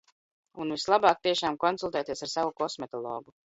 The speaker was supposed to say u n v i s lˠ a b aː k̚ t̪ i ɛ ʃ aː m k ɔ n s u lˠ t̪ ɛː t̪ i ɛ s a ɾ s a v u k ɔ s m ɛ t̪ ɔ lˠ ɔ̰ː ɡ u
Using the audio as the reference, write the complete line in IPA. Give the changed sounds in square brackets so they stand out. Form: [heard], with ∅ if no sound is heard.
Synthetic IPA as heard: u n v i s lˠ a b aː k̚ t̪ i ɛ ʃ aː m k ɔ n s u lˠ t̪ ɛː t̪ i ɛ s a ɾ s a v u k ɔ s m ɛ t̪ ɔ lˠ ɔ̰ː ɡ u